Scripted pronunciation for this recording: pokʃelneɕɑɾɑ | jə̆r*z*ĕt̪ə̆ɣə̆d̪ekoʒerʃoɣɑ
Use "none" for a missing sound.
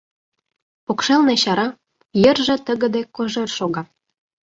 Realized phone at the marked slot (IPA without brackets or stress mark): ʒ